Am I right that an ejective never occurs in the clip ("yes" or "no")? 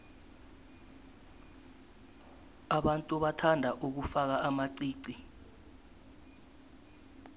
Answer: no